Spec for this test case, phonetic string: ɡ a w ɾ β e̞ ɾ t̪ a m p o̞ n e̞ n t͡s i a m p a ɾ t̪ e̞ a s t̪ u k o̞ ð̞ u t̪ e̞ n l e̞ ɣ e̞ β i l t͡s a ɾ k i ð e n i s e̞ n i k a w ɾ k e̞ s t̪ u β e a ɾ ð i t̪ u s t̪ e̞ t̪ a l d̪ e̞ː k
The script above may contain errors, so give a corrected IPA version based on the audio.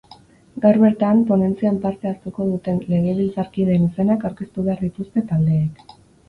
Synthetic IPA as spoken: ɡ a w ɾ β e̞ ɾ t̪ a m p o̞ n e̞ n t͡s i a m p a ɾ t̪ e̞ a s t̪ u k o̞ ð̞ u t̪ e̞ n l e̞ ɣ e̞ β i l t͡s a ɾ k i ð e n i s e̞ n a k a w ɾ k e̞ s t̪ u β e a ɾ ð i t̪ u s t̪ e̞ t̪ a l d̪ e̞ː k